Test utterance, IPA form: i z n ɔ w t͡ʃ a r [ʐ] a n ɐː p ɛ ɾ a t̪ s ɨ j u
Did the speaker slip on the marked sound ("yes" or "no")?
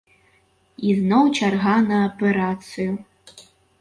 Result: yes